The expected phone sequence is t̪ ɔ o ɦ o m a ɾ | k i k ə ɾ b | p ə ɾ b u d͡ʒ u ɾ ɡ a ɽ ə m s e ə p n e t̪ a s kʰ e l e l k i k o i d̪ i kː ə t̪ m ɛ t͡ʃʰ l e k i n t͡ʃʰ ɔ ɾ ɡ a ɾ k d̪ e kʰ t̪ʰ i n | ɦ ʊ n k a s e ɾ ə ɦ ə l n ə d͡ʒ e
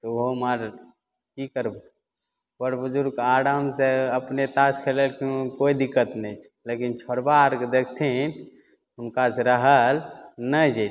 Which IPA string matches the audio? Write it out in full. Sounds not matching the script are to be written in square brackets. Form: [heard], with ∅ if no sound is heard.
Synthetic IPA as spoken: t̪ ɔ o ɦ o m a ɾ | k i k ə ɾ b | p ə ɾ b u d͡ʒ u ɾ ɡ a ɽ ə m s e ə p n e t̪ a s kʰ e l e l k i k o i d̪ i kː ə t̪ [n] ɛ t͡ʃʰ l e k i n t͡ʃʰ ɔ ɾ [b] a ɾ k d̪ e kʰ t̪ʰ i n | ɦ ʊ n k a s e ɾ ə ɦ ə l n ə d͡ʒ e